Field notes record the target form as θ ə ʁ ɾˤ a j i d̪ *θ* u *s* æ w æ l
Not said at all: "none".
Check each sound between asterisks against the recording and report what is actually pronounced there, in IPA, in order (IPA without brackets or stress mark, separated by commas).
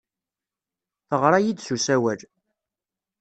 s, s